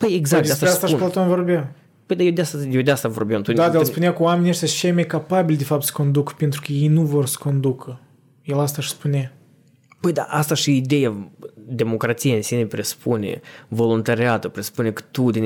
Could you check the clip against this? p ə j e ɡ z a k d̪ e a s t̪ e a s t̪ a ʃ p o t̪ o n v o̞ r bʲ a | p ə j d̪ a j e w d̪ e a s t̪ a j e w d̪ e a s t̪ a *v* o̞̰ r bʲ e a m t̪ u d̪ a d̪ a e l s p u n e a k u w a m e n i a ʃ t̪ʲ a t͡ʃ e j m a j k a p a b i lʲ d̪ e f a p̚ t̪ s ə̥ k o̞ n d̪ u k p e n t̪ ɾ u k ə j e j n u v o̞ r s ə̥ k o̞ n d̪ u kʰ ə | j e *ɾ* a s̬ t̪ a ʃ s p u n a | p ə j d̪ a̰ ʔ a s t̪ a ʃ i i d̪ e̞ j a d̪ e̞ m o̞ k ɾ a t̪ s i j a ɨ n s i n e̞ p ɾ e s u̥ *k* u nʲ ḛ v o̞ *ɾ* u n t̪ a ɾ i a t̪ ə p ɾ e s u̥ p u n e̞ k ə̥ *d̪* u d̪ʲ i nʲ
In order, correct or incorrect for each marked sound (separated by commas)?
correct, incorrect, incorrect, incorrect, incorrect